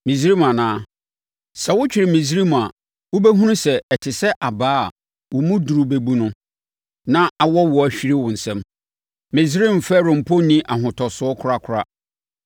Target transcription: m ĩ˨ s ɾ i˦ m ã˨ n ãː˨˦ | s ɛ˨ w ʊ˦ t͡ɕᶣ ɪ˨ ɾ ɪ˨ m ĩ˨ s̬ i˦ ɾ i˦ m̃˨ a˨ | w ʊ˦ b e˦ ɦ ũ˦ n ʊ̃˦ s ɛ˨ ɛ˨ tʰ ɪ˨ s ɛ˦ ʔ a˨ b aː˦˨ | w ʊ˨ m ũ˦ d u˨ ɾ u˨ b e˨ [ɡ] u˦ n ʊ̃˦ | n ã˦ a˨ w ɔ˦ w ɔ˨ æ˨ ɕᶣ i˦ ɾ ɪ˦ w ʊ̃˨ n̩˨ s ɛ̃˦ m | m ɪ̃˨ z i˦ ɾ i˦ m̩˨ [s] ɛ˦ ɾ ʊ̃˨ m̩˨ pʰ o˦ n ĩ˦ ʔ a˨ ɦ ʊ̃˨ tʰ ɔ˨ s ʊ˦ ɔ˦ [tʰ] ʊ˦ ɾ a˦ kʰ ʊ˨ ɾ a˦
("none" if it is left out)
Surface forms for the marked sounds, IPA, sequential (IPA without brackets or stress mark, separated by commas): b, f, kʰ